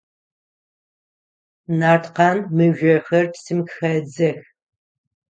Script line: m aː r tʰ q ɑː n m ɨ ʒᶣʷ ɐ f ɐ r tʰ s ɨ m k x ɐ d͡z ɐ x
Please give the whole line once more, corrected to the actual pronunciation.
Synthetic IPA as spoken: n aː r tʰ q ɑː n m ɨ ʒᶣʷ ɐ x ɐ r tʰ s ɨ m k x ɐ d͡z ɐ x